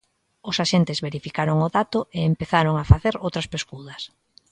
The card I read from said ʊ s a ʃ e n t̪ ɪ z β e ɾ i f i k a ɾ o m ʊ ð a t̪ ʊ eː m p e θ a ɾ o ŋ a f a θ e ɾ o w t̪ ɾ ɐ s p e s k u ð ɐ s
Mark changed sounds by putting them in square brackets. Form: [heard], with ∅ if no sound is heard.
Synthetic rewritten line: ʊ s a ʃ e n t̪ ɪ z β e ɾ i f i k a ɾ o [ŋ] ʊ ð a t̪ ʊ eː m p e θ a ɾ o ŋ a f a θ e ɾ o w t̪ ɾ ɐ s p e s k u ð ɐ s